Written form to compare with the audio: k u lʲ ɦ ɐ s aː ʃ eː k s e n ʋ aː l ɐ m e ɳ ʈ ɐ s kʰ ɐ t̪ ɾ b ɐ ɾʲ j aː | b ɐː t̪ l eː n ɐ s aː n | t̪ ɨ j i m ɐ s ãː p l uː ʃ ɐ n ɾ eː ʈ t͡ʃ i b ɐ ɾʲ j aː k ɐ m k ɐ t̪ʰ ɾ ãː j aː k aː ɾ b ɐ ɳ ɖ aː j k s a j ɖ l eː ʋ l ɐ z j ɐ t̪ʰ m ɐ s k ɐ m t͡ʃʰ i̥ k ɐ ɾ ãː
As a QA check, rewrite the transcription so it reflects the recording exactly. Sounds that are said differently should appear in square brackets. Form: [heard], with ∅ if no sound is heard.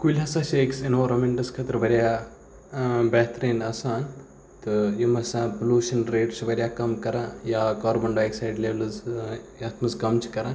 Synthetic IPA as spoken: k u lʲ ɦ ɐ s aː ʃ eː k s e n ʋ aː [ɾ] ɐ m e ɳ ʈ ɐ s kʰ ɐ t̪ ɾ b ɐ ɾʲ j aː | b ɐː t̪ [ɾ] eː n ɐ s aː n | t̪ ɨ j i m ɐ s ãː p l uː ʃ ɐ n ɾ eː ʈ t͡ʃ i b ɐ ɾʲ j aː k ɐ m k ɐ [∅] ɾ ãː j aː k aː ɾ b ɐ ɳ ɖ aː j k s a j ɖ l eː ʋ l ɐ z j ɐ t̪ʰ m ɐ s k ɐ m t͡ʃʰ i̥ k ɐ ɾ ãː